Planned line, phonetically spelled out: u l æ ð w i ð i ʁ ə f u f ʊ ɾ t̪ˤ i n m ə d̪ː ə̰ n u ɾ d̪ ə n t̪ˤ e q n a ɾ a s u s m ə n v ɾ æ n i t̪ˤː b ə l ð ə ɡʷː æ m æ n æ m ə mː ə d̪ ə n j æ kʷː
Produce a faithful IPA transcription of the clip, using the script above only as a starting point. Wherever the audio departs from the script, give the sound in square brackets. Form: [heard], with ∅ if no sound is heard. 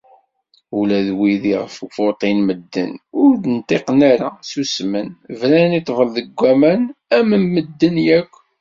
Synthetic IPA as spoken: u l æ ð w i ð i ʁ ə f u f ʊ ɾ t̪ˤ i n m ə d̪ː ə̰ n [ʊ] ɾ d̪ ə n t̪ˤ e q n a ɾ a s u s m ə n v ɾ æ n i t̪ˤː [v] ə l ð ə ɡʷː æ m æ n æ m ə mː ə [d̪ː] ə n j æ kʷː

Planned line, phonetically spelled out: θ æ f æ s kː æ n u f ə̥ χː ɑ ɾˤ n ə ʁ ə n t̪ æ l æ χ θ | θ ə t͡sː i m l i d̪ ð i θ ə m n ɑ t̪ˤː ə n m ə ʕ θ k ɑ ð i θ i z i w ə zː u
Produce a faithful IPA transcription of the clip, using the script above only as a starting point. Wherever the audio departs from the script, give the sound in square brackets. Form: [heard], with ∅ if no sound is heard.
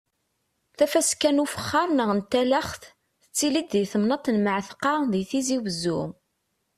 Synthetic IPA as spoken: θ æ f æ s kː æ n u f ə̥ χː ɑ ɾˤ n ə ʁ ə n t̪ æ l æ χ θ | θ ə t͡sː i [∅] l i d̪ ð i θ ə m n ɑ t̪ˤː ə n m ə ʕ θ [q] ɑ ð i θ i z i w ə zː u

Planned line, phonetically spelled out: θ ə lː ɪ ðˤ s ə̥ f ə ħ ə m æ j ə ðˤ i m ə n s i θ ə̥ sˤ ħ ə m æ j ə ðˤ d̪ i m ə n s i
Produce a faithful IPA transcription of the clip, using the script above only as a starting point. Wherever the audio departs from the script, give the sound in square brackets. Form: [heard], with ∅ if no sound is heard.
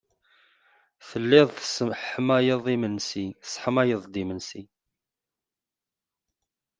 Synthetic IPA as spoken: θ ə lː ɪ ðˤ [θ] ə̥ [s] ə ħ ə m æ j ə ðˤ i m ə n s i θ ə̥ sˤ ħ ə m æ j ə ðˤ d̪ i m ə n s i

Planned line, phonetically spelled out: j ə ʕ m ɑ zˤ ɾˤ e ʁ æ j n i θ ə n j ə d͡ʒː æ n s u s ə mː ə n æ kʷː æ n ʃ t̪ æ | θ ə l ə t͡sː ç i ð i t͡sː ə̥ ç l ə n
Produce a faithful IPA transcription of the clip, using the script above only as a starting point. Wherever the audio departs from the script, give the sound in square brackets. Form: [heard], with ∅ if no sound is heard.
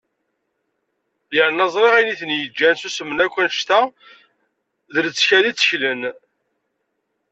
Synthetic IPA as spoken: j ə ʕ [n] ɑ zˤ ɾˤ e ʁ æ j n i θ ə n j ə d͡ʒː æ n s u s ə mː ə n æ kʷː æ n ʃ t̪ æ | [ð] ə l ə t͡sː ç [æ] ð i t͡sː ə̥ ç l ə n

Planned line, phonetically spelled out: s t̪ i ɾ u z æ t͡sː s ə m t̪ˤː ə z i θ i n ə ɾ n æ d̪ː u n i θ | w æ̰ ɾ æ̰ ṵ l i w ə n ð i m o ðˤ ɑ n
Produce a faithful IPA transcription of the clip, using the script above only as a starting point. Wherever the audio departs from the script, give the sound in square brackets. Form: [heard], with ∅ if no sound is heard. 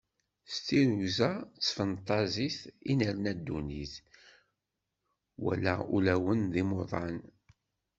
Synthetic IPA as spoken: s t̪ i ɾ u z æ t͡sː [f] ə [n] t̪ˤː [ɑ] z i θ i n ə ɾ n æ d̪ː u n i θ | w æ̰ [l] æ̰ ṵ l [æ] w ə n ð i m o ðˤ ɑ n

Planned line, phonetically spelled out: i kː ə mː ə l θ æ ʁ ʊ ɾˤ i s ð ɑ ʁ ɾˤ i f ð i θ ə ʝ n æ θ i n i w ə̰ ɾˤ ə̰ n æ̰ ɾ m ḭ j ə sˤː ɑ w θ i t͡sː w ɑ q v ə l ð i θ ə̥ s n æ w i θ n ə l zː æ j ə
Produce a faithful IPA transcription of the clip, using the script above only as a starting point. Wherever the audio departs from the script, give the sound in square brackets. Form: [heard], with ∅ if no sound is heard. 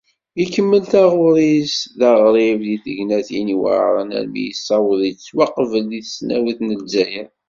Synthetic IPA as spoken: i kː ə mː ə l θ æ ʁ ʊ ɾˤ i s ð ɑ ʁ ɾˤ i [v] ð i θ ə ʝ n æ θ i n i w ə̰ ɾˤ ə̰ n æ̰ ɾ m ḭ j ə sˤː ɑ w [ð] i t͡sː w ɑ q v ə l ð i θ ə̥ s n æ w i θ n ə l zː æ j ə

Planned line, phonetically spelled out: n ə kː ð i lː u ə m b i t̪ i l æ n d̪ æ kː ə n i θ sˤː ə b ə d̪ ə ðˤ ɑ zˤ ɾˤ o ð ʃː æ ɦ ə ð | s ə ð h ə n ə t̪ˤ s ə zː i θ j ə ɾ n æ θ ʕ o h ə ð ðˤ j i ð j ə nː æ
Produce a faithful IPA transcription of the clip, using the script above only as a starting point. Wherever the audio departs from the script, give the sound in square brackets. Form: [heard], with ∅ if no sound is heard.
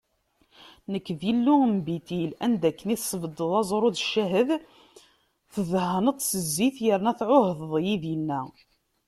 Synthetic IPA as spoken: n ə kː ð i lː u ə m b i t̪ i l æ n d̪ æ kː ə n i θ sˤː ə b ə d̪ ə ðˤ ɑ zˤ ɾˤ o ð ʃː æ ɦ ə ð | [θ] ə ð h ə n ə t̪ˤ s ə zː i θ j ə ɾ n æ θ ʕ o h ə ð ðˤ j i ð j ə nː æ

